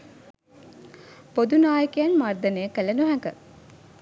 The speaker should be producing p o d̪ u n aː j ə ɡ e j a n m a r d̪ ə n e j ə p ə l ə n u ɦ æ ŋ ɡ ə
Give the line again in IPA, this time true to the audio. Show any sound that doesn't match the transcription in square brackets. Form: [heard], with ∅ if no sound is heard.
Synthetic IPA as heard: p o d̪ u n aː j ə [k] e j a n m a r d̪ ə n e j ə [k] ə l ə n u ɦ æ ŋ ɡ ə